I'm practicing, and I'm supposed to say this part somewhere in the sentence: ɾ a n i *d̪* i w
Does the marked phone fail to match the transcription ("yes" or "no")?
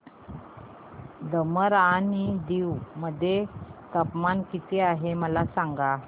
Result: no